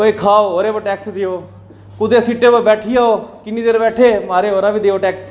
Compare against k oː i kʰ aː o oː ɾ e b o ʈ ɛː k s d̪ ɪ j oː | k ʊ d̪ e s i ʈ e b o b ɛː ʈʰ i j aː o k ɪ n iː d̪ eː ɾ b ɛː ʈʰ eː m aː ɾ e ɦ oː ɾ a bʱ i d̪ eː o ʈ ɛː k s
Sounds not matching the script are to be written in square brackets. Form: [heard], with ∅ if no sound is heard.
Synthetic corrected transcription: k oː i kʰ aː o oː ɾ e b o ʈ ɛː k s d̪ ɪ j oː | k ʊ d̪ e s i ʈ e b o b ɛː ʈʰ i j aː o k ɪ n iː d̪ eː ɾ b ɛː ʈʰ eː m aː ɾ e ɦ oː ɾ a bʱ i d̪ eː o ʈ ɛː k s